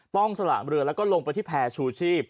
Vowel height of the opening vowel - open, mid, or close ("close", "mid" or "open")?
mid